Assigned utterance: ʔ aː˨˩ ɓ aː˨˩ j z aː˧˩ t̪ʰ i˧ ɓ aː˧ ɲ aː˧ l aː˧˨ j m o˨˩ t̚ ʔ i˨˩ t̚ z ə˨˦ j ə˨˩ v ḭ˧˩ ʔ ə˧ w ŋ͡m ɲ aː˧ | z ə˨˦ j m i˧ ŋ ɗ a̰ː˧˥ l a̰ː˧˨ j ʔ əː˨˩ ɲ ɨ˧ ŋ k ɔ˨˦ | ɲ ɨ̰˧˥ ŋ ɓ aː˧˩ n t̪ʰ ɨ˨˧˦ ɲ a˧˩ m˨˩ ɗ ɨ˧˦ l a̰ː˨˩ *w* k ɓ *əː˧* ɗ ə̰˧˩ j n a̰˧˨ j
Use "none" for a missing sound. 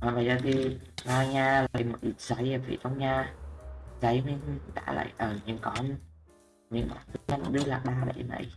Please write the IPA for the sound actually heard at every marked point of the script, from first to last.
none, aː˧

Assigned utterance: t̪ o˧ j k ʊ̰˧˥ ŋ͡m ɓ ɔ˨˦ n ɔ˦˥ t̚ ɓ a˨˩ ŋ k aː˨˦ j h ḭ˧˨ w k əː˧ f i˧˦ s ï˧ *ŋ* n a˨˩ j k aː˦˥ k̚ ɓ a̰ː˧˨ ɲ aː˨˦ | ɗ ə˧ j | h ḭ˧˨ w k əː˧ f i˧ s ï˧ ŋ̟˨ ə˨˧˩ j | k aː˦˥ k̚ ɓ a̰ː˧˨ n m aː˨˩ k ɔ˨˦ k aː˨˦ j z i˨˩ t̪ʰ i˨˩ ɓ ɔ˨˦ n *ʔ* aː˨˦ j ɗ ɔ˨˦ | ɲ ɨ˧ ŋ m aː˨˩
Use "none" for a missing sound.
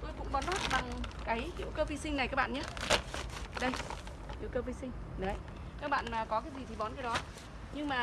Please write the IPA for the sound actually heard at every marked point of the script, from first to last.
ŋ, k

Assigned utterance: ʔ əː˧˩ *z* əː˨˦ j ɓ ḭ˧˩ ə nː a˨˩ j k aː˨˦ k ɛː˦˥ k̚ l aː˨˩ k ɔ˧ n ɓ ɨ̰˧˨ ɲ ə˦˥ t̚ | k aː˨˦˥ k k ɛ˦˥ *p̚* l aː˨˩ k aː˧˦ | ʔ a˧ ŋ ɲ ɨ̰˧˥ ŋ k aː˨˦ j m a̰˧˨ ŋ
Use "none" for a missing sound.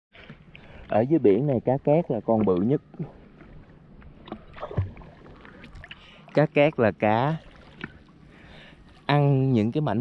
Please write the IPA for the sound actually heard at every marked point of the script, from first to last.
z, k̚

